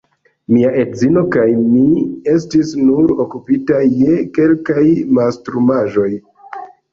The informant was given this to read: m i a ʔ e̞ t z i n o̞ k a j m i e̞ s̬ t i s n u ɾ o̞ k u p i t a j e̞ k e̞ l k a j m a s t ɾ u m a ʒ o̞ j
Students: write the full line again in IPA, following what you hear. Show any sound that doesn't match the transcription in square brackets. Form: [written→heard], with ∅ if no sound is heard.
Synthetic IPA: m i a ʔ e̞ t z i n o̞ k a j m i e̞ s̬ t i s n u ɾ o̞ k u p i t a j e̞ k e̞ l k a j m a s t ɾ u m a ʒ o̞ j